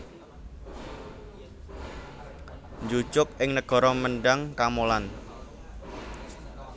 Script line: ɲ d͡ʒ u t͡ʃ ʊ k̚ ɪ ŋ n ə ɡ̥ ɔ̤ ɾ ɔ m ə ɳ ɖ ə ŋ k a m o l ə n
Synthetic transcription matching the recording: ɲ d͡ʒ u t͡ʃ ʊ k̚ ɪ ŋ n ə ɡ̥ ɔ̤ ɾ ɔ m ə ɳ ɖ a ŋ k a m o l a n